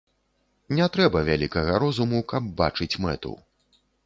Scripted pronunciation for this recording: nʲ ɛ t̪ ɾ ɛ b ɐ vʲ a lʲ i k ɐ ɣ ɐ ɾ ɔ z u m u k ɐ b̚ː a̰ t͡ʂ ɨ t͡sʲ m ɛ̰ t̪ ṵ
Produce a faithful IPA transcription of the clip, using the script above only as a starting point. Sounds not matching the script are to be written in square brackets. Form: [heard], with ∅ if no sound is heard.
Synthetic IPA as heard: nʲ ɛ t̪ ɾ ɛ b ɐ vʲ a lʲ i k ɐ ɣ ɐ ɾ ɔ z u m u k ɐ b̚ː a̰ t͡ʂ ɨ t͡sʲ m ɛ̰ t̪ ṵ